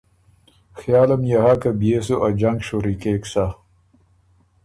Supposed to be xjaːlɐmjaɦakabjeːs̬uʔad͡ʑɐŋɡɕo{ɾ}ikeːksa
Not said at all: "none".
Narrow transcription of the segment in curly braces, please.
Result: ɾ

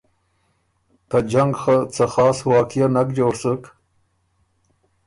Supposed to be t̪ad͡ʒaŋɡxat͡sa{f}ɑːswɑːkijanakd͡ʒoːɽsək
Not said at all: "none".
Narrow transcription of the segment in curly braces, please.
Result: x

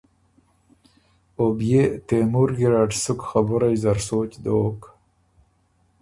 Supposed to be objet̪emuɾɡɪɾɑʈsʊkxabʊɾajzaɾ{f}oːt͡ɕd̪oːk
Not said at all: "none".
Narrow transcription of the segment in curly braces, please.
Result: s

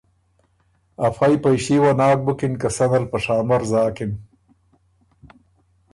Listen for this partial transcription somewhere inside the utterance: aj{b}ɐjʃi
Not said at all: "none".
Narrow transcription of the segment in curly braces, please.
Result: p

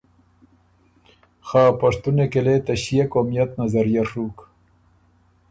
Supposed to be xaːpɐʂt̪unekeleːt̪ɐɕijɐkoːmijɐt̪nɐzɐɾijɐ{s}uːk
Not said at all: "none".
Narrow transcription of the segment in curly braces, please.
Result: ʂ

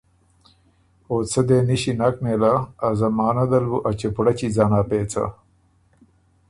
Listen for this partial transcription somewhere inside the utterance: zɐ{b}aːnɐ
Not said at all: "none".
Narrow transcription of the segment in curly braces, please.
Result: m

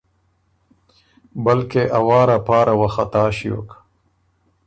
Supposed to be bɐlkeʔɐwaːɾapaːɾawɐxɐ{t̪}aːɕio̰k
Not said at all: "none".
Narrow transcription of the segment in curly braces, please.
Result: t̪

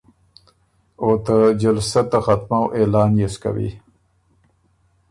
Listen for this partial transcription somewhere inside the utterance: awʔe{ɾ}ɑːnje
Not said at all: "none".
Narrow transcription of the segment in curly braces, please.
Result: l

